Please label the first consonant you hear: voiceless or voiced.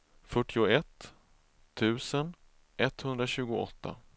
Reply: voiceless